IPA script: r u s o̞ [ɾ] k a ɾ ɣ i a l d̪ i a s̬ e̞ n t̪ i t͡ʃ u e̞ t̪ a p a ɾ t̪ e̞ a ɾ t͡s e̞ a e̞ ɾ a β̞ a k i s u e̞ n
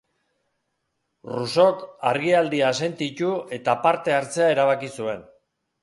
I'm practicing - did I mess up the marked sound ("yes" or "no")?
yes